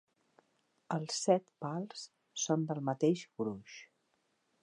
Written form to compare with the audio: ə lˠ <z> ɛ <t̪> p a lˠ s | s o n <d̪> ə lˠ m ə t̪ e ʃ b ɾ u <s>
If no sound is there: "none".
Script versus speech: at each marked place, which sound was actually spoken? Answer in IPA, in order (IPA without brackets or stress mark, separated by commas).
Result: s, t̪, d̪, ʃ